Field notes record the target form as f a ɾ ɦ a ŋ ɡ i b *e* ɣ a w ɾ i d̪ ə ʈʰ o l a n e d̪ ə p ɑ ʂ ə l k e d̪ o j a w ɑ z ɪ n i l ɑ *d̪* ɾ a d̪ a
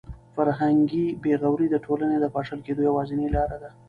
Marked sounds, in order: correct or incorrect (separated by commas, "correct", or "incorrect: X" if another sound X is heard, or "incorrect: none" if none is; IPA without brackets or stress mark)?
correct, incorrect: none